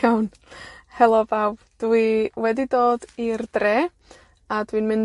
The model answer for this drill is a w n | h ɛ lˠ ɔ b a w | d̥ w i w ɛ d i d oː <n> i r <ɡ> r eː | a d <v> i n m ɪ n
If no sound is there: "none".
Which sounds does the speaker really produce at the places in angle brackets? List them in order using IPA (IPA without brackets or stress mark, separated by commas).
d, d, w